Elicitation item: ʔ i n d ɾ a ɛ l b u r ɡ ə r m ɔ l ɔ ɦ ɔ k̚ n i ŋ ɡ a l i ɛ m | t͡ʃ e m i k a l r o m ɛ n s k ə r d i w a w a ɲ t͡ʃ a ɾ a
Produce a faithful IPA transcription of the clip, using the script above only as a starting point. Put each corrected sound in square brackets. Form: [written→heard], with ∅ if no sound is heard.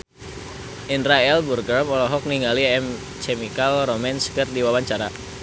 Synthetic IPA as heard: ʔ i n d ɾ a ɛ l b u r ɡ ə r m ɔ l ɔ ɦ ɔ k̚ n i ŋ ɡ a l i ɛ m | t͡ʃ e m i k a l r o m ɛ n s k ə r d i w a w a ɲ t͡ʃ a ɾ a

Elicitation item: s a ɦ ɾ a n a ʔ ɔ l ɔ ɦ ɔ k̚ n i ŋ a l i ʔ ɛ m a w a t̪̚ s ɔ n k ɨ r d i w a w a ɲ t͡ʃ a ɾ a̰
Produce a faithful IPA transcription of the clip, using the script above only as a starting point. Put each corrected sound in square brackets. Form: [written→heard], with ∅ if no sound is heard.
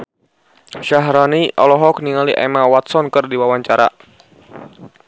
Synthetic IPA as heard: [s→ʃ] a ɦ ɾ a n [a→i] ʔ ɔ l ɔ ɦ ɔ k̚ n i ŋ a l i ʔ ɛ m a w a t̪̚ s ɔ n k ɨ r d i w a w a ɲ t͡ʃ a ɾ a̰

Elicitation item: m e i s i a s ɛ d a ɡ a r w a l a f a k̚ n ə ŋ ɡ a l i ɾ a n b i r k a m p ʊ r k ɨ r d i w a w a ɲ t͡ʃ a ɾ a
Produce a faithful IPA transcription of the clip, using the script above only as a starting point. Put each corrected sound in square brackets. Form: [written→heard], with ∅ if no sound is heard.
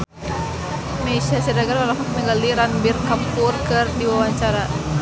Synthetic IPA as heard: m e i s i a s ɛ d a ɡ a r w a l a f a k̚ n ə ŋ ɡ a l i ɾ a n b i r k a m p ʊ r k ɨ r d i w a w a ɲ t͡ʃ a ɾ a

